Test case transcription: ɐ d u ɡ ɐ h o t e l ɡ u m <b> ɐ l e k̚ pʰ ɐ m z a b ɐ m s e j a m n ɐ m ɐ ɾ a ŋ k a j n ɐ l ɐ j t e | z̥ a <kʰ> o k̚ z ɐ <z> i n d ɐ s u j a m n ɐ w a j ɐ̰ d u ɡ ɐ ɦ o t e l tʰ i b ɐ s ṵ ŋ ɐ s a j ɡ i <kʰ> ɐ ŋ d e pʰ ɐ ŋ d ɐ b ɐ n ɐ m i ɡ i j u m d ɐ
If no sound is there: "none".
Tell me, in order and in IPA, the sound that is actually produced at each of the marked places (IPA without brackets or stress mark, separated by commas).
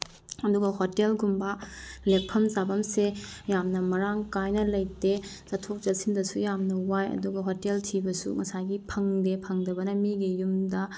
b, tʰ, s, pʰ